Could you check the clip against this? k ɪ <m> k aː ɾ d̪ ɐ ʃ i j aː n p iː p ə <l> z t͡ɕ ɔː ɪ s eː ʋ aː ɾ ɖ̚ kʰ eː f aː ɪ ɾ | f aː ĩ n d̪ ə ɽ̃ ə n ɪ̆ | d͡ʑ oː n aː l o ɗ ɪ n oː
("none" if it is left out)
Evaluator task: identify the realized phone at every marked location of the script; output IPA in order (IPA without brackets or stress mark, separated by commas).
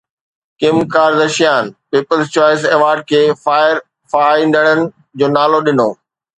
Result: m, l